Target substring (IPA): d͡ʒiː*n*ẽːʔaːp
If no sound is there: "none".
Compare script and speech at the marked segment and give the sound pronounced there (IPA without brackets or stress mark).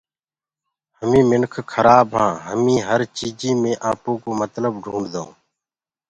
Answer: m